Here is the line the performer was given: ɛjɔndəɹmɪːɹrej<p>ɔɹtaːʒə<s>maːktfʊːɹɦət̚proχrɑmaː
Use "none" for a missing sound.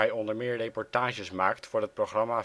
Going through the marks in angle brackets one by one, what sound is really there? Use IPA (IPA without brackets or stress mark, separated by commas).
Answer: p, s